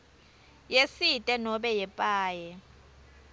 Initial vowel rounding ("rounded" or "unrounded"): unrounded